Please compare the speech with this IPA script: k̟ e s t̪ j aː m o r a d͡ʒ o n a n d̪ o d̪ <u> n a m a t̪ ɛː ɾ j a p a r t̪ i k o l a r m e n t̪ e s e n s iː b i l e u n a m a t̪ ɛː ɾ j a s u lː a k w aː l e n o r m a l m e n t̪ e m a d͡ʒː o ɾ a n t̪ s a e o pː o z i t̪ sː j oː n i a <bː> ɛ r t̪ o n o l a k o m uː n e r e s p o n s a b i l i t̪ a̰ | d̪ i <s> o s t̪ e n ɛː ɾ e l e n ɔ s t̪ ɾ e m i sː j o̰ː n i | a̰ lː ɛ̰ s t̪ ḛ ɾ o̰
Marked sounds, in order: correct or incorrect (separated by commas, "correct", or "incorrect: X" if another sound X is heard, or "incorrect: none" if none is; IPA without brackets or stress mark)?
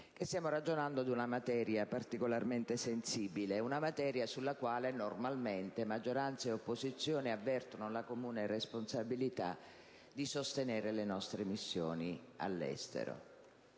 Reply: correct, incorrect: vː, correct